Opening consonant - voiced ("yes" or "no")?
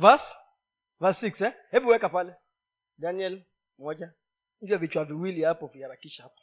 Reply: yes